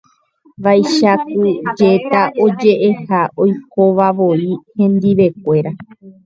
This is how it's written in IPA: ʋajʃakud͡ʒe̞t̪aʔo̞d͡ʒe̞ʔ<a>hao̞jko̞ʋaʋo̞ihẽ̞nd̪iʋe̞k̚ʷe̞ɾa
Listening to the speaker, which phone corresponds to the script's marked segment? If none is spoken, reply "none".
e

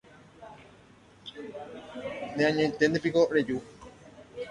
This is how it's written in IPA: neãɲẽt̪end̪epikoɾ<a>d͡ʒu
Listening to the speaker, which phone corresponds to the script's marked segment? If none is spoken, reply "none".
e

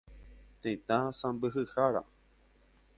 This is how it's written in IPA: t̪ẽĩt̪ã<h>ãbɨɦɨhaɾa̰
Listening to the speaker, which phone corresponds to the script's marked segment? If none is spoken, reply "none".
s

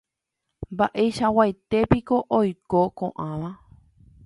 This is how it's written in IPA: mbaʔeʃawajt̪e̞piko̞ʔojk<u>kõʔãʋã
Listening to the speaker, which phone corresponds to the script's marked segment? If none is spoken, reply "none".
o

